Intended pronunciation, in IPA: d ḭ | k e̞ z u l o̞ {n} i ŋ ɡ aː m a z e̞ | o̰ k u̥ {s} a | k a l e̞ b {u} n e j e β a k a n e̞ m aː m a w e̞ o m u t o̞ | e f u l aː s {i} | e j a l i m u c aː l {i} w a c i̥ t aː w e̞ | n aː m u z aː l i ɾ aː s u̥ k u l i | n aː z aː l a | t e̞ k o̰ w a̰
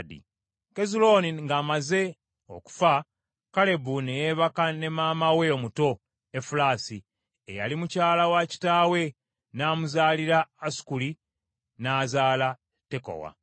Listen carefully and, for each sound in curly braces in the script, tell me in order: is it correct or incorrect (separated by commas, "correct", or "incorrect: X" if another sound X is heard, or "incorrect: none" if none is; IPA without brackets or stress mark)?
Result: correct, incorrect: f, correct, correct, incorrect: a